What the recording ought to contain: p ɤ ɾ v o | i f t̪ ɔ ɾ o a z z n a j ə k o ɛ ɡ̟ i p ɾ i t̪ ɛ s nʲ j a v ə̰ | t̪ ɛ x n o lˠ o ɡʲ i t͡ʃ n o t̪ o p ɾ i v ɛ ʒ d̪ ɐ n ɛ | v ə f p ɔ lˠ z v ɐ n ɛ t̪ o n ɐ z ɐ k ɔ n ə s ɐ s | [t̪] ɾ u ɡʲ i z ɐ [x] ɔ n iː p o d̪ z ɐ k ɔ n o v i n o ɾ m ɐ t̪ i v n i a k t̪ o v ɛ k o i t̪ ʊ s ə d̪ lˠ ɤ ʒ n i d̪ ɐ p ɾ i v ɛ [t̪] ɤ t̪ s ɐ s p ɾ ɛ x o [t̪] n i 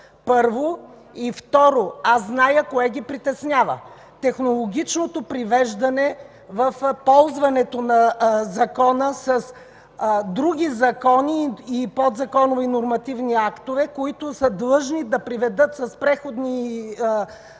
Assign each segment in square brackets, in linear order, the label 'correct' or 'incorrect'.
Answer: incorrect, incorrect, incorrect, incorrect

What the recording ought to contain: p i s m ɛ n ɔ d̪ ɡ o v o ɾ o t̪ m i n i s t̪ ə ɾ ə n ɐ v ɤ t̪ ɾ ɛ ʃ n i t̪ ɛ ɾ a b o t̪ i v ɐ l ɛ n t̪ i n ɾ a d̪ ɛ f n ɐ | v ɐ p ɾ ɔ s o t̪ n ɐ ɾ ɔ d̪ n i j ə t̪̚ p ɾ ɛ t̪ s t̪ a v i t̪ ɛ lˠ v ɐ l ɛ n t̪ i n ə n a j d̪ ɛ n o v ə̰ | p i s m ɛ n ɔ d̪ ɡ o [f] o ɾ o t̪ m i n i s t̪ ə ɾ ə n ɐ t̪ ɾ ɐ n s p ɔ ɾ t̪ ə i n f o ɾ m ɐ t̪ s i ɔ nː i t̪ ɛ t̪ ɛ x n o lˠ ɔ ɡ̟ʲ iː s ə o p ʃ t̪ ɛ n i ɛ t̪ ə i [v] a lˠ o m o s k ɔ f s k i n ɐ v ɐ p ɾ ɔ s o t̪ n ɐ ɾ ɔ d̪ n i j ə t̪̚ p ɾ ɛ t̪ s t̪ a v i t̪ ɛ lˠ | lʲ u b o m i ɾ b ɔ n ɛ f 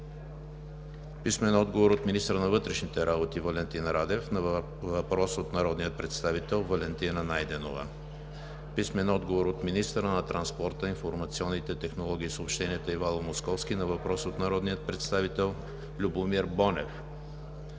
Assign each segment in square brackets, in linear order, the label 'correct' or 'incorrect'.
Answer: incorrect, correct

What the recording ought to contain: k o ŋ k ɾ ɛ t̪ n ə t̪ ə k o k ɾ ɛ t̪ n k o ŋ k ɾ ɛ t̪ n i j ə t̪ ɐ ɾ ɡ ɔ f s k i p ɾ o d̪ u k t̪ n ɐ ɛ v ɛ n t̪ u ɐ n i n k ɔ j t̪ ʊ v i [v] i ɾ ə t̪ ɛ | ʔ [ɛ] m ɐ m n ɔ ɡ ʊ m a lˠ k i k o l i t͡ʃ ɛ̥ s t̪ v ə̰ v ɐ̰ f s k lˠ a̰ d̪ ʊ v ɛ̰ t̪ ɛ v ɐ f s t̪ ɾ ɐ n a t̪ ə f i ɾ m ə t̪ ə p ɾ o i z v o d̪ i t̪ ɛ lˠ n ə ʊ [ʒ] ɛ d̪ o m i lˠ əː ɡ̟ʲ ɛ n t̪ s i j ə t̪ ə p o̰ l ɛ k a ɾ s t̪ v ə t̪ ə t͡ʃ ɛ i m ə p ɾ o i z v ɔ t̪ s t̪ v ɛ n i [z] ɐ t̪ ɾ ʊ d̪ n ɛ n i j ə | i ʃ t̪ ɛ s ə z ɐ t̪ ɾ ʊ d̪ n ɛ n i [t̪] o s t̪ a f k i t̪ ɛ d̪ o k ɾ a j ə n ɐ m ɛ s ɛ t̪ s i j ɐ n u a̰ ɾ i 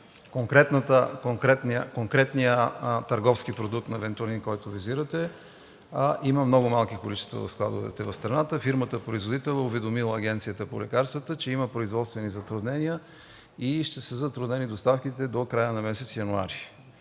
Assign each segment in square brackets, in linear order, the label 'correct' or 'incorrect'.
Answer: incorrect, incorrect, incorrect, correct, incorrect

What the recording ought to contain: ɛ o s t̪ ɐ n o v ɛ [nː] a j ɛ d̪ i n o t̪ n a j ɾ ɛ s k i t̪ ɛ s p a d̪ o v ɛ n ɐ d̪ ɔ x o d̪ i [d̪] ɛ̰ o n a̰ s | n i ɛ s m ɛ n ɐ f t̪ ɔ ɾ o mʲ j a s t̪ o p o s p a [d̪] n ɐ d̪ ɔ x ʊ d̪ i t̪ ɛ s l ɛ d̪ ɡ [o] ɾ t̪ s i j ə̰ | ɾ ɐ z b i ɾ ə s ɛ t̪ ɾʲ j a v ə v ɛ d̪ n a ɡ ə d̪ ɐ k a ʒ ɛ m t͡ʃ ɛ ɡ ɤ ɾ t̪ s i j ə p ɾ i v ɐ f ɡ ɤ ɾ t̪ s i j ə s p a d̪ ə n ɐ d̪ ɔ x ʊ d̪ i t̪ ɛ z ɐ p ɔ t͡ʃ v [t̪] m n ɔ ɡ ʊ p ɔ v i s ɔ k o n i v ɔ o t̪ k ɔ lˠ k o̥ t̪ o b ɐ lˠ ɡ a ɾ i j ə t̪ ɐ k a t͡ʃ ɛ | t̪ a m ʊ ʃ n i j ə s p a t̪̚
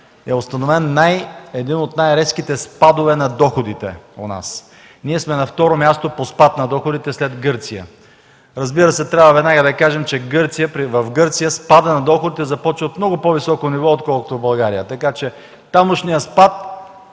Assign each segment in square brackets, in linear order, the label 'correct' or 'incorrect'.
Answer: correct, incorrect, incorrect, incorrect, correct

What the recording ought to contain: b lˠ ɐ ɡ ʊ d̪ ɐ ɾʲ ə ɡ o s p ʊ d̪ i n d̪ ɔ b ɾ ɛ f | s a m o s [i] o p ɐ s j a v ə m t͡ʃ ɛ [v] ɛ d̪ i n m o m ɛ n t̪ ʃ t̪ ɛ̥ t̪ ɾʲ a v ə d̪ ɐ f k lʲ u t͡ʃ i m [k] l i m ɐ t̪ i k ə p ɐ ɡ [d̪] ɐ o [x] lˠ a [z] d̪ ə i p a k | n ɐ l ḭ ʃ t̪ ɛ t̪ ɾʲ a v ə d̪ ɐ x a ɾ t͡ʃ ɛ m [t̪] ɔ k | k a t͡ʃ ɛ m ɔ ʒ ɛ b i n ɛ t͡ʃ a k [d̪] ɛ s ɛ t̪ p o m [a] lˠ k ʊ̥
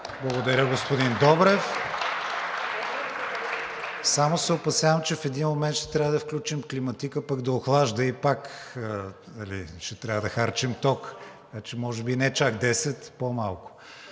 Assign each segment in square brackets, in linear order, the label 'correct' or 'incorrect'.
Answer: incorrect, incorrect, correct, correct, correct, incorrect, correct, correct, correct

